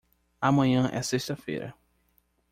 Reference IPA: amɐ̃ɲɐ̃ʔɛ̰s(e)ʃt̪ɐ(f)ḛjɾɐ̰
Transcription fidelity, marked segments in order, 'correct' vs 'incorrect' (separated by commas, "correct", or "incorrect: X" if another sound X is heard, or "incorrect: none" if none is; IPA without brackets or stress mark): correct, correct